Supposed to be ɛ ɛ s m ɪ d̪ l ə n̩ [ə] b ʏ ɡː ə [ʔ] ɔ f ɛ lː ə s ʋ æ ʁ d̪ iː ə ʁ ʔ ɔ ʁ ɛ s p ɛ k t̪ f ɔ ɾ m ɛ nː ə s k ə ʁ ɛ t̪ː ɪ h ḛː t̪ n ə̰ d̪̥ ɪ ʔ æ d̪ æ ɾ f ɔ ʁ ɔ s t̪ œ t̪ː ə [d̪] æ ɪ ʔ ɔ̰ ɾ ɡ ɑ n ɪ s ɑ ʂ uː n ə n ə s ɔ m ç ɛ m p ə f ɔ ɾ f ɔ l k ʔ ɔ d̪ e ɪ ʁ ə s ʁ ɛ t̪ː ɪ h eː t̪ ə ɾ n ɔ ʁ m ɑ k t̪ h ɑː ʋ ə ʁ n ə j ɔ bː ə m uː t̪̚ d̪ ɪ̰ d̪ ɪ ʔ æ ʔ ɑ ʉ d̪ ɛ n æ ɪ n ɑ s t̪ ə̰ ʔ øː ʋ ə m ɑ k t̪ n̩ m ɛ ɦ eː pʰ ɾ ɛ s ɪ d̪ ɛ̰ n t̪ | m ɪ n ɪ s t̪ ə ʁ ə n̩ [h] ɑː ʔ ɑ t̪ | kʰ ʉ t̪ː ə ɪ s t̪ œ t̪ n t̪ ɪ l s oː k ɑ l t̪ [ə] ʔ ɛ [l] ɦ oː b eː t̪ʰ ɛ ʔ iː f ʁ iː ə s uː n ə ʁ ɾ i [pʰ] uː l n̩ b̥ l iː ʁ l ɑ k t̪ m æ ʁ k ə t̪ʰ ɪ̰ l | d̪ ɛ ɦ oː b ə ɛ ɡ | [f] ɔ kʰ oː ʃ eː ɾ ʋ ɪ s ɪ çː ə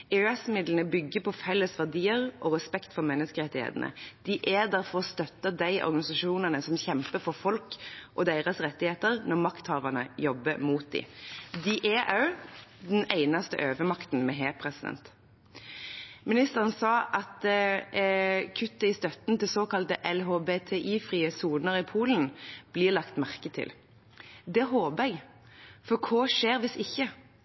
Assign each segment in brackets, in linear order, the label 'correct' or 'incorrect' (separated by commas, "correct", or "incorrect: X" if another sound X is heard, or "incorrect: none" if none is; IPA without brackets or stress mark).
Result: correct, incorrect: p, correct, incorrect: s, correct, correct, correct, correct